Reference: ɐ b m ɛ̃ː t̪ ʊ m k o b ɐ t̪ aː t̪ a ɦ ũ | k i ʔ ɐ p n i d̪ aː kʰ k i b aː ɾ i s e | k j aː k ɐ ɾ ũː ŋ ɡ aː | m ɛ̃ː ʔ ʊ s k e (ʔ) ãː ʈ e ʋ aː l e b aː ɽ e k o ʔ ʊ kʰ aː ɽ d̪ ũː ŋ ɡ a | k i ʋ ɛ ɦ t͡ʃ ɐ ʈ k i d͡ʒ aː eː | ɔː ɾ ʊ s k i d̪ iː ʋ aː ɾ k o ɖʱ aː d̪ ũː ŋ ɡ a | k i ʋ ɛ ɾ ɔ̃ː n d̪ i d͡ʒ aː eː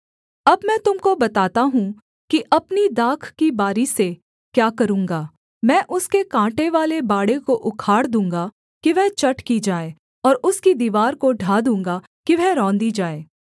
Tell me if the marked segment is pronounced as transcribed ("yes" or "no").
no